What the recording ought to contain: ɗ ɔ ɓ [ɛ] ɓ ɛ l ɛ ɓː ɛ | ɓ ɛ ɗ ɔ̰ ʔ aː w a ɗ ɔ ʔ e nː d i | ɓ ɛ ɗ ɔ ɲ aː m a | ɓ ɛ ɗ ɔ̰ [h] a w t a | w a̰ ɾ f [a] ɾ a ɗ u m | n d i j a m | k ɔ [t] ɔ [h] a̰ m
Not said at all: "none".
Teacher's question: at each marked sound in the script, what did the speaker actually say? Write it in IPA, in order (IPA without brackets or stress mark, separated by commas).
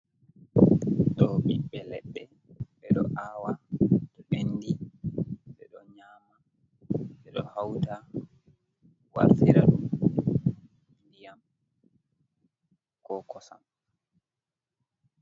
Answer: i, h, i, k, s